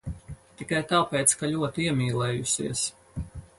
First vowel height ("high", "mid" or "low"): high